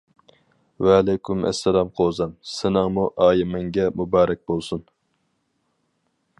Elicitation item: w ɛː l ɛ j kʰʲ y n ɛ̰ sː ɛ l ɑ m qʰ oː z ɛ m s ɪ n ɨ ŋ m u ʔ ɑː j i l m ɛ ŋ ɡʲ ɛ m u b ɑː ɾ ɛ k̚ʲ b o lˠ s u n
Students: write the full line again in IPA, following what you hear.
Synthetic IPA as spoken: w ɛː l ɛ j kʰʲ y m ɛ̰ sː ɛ l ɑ m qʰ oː z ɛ m s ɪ n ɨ ŋ m u ʔ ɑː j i m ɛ ŋ ɡʲ ɛ m u b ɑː ɾ ɛ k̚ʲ b o lˠ s u n